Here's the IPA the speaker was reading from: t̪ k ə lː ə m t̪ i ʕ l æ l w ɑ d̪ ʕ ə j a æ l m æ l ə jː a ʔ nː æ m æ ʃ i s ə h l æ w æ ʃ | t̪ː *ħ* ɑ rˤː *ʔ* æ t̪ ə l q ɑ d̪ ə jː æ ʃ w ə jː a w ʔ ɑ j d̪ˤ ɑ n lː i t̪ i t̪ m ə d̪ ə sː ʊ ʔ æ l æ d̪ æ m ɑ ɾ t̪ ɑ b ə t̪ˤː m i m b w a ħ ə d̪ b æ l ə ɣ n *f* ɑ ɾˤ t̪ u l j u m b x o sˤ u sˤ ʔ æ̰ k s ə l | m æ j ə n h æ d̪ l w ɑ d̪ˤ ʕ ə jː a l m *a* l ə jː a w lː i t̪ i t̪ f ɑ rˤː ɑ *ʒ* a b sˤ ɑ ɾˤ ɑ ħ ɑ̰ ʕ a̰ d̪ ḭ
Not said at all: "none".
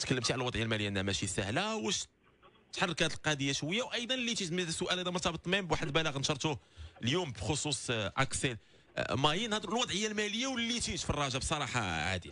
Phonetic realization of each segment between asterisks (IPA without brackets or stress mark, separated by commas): ħ, k, ʃ, æ, ʒ